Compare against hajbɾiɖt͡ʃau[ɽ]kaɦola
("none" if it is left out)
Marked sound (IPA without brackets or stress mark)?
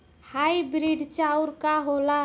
ɾ